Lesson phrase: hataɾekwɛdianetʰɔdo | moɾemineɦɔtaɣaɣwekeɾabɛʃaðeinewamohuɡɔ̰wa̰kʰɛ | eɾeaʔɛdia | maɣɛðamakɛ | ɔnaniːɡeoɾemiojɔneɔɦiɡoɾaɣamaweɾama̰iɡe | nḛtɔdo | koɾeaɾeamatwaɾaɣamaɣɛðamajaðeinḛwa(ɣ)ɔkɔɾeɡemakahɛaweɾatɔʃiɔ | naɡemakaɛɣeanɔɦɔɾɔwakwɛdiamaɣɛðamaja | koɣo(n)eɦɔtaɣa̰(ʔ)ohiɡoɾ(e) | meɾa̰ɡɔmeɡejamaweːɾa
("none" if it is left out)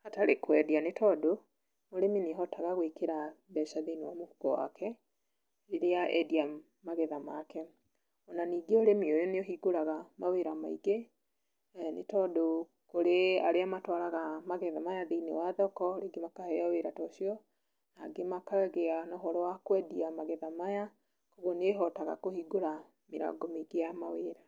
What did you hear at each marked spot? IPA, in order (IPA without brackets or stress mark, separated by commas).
ð, n, k, a